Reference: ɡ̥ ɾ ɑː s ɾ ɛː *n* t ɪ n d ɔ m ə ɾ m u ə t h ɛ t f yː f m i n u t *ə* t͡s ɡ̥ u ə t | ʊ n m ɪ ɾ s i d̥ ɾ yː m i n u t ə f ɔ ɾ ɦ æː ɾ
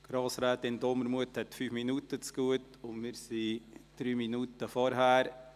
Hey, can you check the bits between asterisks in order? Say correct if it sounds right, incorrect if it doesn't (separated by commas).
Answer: incorrect, correct